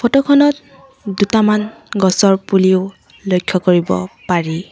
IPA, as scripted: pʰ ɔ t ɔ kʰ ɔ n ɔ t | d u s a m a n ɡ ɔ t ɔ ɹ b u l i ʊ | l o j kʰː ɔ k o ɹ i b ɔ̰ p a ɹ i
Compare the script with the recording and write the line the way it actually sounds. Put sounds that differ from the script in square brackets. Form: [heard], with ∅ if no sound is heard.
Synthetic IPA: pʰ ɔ t ɔ kʰ ɔ n ɔ t | d u [t] a m a n ɡ ɔ [s] ɔ ɹ [p] u l i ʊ | l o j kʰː ɔ k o ɹ i b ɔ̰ p a ɹ i

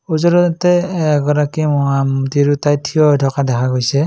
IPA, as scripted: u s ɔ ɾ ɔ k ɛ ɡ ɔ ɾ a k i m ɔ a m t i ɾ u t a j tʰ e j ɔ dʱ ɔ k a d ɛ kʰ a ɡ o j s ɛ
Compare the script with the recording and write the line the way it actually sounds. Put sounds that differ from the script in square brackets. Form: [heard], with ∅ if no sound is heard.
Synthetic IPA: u [z] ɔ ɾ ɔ [t] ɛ ɡ ɔ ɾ a k i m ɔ a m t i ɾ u t a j tʰ [i] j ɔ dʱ ɔ k a d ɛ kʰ a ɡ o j s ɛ

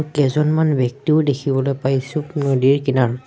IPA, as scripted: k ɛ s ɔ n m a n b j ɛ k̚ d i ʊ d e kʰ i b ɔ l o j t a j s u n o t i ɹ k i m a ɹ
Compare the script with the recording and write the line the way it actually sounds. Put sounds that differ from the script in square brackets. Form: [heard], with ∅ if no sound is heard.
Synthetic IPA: k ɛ [z] ɔ n m a n b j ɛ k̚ [t] i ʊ d e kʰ i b ɔ l o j [p] a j s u n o [d] i ɹ k i [n] a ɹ

